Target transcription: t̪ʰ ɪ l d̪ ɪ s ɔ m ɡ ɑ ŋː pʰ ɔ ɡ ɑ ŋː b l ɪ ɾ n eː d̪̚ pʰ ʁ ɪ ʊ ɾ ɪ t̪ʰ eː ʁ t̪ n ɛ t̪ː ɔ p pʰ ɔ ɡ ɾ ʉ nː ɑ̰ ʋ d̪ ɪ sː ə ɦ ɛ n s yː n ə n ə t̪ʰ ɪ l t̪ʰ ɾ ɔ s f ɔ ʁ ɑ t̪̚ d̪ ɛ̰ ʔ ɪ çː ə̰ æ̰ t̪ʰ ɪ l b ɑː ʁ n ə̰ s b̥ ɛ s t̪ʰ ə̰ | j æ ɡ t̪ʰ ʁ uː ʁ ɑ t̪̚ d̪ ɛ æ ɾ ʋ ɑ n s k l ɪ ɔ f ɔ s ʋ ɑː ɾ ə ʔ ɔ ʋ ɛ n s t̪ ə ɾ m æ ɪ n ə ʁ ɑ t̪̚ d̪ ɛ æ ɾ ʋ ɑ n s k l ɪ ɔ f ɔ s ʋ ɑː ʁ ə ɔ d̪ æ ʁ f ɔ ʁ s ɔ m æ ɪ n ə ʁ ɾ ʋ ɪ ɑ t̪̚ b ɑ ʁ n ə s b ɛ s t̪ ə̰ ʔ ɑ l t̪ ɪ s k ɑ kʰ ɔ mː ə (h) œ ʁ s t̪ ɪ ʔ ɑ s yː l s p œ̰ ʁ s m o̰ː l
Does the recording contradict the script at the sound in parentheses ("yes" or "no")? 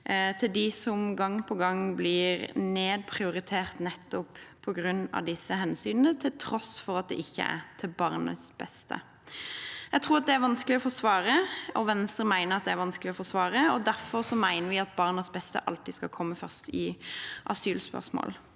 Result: yes